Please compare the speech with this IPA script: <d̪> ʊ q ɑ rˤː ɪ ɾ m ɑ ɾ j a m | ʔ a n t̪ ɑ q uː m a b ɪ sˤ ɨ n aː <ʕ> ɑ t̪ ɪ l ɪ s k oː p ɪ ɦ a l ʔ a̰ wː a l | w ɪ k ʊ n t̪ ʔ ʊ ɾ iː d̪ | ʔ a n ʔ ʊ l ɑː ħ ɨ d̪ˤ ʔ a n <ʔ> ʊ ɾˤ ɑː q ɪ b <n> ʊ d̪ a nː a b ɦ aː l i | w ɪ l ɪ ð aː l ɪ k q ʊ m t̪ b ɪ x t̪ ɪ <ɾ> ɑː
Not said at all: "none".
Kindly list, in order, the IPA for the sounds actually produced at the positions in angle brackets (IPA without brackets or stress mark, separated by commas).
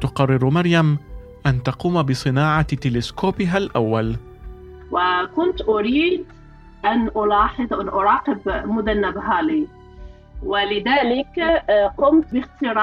t̪, ʕ, ʔ, m, ɾ